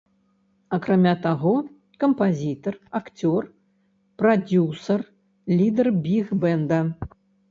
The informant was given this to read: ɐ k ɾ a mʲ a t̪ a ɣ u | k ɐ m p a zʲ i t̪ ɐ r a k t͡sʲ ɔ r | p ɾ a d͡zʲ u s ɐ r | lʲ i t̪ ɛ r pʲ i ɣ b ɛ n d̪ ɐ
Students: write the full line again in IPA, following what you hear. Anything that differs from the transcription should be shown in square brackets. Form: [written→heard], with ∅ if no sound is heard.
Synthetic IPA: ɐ k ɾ a mʲ a t̪ a ɣ [u→ɔ] | k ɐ m p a zʲ i t̪ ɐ r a k t͡sʲ ɔ r | p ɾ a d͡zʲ u s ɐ r | lʲ i [t̪→d̪] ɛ r [pʲ→bʲ] i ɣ b ɛ n d̪ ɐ

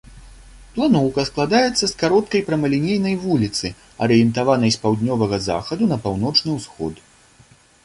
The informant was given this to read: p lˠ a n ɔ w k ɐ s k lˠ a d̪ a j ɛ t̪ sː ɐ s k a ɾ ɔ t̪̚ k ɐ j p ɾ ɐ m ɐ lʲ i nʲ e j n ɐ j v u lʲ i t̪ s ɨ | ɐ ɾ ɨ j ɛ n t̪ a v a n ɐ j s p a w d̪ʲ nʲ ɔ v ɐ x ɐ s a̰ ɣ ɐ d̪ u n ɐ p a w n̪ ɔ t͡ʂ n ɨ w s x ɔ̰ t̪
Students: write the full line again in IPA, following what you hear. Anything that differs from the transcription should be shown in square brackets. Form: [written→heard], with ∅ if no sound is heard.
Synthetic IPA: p lˠ a n ɔ w k ɐ s k lˠ a d̪ a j ɛ t̪ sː ɐ s k a ɾ ɔ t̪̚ k ɐ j p ɾ ɐ m ɐ lʲ i nʲ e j n ɐ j v u lʲ i t̪ s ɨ | ɐ ɾ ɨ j ɛ n t̪ a v a n ɐ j s p a w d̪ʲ nʲ ɔ v ɐ [x→ɣ] ɐ [s→z] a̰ [ɣ→x] ɐ d̪ u n ɐ p a w n̪ ɔ t͡ʂ n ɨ w s x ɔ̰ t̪

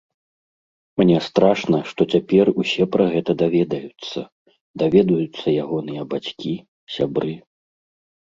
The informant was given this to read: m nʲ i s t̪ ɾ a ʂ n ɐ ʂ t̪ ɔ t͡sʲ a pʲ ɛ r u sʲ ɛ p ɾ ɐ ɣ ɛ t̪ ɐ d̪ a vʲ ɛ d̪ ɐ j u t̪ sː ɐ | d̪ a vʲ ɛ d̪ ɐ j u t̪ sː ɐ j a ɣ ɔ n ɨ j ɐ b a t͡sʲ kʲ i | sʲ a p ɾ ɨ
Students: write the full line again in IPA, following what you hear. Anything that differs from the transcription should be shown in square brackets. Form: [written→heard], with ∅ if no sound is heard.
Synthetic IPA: m nʲ [i→ɛ] s t̪ ɾ a ʂ n ɐ ʂ t̪ ɔ t͡sʲ a pʲ ɛ r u sʲ ɛ p ɾ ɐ ɣ ɛ t̪ ɐ d̪ a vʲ ɛ d̪ ɐ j u t̪ sː ɐ | d̪ a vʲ ɛ d̪ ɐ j u t̪ sː ɐ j a ɣ ɔ n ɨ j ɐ b a t͡sʲ kʲ i | sʲ a [p→b] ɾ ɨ

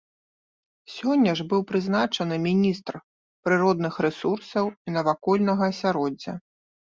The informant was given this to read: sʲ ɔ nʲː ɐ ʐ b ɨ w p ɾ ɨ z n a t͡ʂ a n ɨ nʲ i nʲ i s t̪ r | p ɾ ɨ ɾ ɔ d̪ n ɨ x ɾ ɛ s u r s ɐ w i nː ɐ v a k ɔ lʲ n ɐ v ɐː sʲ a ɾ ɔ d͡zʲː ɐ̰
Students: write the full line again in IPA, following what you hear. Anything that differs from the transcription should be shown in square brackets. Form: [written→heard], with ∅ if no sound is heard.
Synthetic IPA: sʲ ɔ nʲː ɐ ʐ b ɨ w p ɾ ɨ z n a t͡ʂ [a→ɐ] n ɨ [nʲ→mʲ] i nʲ i s t̪ r | p ɾ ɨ ɾ ɔ d̪ n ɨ x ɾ ɛ s u r s ɐ w i [nː→n] ɐ v a k ɔ lʲ n ɐ [v→ɣ] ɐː sʲ a ɾ ɔ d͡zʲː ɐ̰

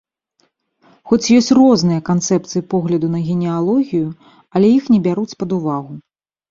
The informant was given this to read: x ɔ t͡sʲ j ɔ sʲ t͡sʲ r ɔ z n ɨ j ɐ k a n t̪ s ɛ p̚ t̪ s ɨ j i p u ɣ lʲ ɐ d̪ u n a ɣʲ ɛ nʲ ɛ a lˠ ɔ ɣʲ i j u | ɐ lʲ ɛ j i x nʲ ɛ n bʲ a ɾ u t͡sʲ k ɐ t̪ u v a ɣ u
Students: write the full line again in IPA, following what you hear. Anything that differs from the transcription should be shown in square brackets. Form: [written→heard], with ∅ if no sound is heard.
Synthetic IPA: x ɔ t͡sʲ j ɔ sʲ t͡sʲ r ɔ z n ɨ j ɐ k a n t̪ s ɛ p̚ t̪ s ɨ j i p [u→ɔ] ɣ lʲ ɐ d̪ u n [a→ɐ] ɣʲ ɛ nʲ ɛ a lˠ ɔ ɣʲ i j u | ɐ lʲ ɛ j i x nʲ ɛ [n→∅] bʲ a ɾ u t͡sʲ [k→p] ɐ [t̪→d̪] u v a ɣ u

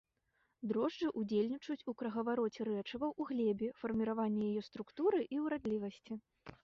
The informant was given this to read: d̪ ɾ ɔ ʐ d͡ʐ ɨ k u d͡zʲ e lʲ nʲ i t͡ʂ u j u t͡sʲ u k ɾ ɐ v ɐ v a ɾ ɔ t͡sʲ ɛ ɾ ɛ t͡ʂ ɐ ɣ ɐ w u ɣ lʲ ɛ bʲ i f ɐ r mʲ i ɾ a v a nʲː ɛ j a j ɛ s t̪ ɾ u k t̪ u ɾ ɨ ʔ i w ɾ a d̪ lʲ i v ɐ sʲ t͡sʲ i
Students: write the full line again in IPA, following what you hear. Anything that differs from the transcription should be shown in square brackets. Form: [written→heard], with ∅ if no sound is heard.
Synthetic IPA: d̪ ɾ ɔ ʐ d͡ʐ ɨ [k→ʔ] u d͡zʲ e lʲ nʲ i t͡ʂ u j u t͡sʲ u k ɾ ɐ [v→ɣ] ɐ v a ɾ ɔ t͡sʲ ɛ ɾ ɛ t͡ʂ ɐ [ɣ→v] ɐ w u ɣ lʲ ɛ bʲ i f ɐ r mʲ i ɾ a v a nʲː ɛ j a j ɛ s t̪ ɾ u k t̪ u ɾ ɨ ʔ i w ɾ a d̪ lʲ i v ɐ sʲ t͡sʲ i

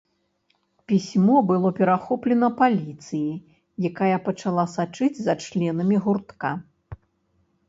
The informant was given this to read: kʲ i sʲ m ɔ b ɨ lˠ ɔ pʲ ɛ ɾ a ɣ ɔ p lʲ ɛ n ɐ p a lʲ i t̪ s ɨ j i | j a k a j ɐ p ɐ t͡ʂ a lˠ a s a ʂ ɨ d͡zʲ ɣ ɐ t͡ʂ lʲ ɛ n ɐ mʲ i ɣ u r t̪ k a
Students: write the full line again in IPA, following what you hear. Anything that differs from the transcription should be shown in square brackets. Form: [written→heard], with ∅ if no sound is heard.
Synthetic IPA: [kʲ→pʲ] i sʲ m ɔ b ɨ lˠ ɔ pʲ ɛ ɾ a [ɣ→x] ɔ p lʲ ɛ n ɐ p a lʲ i t̪ s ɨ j i | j a k a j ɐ p ɐ t͡ʂ a lˠ a s a [ʂ→t͡ʂ] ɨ d͡zʲ [ɣ→z] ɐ t͡ʂ lʲ ɛ n ɐ mʲ i ɣ u r t̪ k a

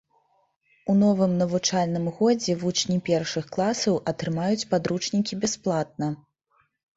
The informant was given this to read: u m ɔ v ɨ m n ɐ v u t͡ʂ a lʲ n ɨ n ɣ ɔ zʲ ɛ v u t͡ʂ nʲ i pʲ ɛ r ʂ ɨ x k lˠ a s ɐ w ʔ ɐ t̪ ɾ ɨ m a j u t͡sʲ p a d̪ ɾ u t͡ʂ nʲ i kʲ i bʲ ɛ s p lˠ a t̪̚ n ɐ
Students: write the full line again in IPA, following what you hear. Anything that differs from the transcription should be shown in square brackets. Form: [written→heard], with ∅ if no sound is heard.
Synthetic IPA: u [m→n] ɔ v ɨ m n ɐ v u t͡ʂ a lʲ n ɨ [n→m] ɣ ɔ [zʲ→d͡zʲ] ɛ v u t͡ʂ nʲ i pʲ ɛ r ʂ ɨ x k lˠ a s ɐ w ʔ ɐ t̪ ɾ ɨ m a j u t͡sʲ p a d̪ ɾ u t͡ʂ nʲ i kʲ i bʲ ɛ s p lˠ a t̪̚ n ɐ

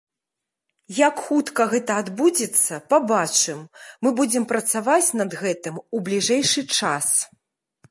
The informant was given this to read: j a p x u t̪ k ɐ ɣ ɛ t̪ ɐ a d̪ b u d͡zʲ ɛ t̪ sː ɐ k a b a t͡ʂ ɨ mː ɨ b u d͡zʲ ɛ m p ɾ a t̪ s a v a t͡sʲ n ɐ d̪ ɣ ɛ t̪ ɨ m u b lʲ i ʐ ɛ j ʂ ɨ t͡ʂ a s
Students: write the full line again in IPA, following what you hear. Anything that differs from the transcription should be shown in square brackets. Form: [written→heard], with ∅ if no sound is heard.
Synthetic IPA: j a [p→k] x u t̪ k ɐ ɣ ɛ t̪ ɐ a d̪ b u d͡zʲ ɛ t̪ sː ɐ [k→p] a b a t͡ʂ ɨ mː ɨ b u d͡zʲ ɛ m p ɾ [a→ɐ] t̪ s a v a t͡sʲ n ɐ d̪ ɣ ɛ t̪ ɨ m u b lʲ i ʐ ɛ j ʂ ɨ t͡ʂ a s

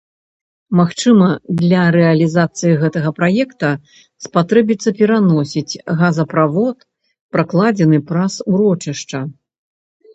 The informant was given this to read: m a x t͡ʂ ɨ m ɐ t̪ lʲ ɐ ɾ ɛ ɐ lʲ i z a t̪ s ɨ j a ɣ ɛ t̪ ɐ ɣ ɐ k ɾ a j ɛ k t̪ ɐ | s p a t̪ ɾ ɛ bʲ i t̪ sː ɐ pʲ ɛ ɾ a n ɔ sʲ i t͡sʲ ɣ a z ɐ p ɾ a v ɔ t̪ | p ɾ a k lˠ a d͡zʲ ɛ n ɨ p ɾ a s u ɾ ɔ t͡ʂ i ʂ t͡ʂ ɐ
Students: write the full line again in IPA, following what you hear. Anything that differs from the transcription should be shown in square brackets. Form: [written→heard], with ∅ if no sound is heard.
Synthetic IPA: m a x t͡ʂ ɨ m ɐ [t̪→d̪] lʲ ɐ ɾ ɛ ɐ lʲ i z a t̪ s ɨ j [a→i] ɣ ɛ t̪ ɐ ɣ ɐ [k→p] ɾ a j ɛ k t̪ ɐ | s p a t̪ ɾ ɛ bʲ i t̪ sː ɐ pʲ ɛ ɾ a n ɔ sʲ i t͡sʲ ɣ a z ɐ p ɾ a v ɔ t̪ | p ɾ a k lˠ a d͡zʲ ɛ n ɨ p ɾ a s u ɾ ɔ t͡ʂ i ʂ t͡ʂ ɐ

